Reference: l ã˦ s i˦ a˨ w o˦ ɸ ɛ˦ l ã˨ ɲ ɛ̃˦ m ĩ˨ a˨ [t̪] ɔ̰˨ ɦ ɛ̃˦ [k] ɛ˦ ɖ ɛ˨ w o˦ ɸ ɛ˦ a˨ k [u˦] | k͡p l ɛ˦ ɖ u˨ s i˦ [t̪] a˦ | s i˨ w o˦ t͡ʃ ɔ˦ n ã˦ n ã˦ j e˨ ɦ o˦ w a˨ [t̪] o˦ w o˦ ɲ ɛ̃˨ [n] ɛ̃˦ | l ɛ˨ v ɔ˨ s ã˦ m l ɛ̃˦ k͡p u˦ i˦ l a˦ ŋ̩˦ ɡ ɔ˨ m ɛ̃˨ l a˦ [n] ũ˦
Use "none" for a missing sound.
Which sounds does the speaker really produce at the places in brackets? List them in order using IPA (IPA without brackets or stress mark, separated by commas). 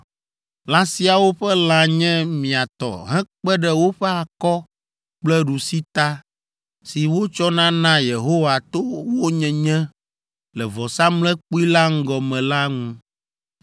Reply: t̪, k͡p, ɔ˦, t̪, t̪, ɲ, ŋ